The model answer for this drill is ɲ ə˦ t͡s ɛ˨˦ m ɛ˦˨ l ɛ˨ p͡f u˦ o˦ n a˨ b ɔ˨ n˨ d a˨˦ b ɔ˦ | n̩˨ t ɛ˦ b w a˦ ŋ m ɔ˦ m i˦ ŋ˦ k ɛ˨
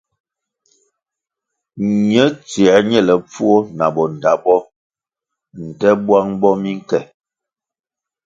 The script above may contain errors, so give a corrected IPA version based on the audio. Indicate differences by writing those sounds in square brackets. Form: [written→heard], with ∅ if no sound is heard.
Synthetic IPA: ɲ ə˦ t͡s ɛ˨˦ [m→ɲ] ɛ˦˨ l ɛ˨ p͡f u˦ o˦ n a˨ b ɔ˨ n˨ d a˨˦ b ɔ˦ | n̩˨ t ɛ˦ b w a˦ ŋ [m→b] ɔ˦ m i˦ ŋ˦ k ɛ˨